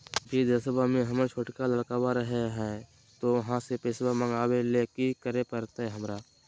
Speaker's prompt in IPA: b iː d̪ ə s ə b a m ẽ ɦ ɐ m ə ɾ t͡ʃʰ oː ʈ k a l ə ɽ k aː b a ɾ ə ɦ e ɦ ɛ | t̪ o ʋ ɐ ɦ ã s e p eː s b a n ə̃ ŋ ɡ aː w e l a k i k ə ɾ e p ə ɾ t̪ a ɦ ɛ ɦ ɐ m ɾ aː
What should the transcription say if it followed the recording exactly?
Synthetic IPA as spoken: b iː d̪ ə s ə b a m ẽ ɦ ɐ m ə ɾ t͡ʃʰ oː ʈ k a l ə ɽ k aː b a ɾ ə ɦ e ɦ ɛ | t̪ o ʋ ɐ ɦ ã s e p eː s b a m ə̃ ŋ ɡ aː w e l e k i k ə ɾ e p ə ɾ t̪ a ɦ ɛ ɦ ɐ m ɾ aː